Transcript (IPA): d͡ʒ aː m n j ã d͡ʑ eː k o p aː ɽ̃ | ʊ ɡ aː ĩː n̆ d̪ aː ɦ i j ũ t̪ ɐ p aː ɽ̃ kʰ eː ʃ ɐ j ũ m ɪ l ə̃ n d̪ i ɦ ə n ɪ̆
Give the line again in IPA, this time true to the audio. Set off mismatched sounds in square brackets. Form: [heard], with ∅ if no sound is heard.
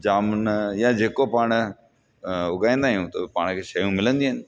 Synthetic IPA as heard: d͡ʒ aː m n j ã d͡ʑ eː k o p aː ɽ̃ | ʊ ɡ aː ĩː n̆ d̪ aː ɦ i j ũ t̪ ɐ p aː ɽ̃ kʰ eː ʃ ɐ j ũ m ɪ l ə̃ n d̪ i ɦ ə n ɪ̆